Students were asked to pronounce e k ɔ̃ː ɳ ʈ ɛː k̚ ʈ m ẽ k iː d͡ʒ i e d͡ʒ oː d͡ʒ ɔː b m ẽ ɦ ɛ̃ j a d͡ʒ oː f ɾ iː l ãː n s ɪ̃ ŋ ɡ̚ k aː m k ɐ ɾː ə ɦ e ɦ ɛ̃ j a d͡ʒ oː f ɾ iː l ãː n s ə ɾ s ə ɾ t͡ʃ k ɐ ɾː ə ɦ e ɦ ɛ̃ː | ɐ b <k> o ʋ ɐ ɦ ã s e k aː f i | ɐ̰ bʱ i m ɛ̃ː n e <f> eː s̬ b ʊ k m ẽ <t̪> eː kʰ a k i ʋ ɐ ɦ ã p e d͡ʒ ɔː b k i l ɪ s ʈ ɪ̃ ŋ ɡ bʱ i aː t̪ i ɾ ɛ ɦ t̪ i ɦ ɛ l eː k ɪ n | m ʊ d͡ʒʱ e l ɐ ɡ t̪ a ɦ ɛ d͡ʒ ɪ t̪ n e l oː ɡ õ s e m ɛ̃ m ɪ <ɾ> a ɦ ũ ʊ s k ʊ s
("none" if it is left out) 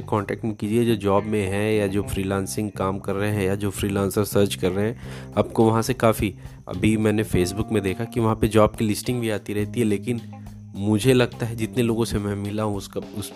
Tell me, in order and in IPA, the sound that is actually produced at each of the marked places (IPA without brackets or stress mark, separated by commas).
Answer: k, f, d̪, l